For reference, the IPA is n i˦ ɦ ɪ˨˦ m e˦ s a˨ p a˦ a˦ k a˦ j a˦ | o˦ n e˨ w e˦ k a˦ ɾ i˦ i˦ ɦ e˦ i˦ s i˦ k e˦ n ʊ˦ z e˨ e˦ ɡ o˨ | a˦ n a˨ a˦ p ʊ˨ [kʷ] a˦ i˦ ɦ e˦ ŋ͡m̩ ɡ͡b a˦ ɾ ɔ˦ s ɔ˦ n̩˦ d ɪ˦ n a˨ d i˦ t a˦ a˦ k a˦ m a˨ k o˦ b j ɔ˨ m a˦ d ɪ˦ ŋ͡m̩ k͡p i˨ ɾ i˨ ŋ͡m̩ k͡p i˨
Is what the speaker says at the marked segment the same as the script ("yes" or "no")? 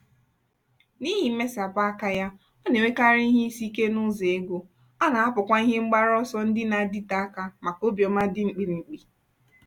yes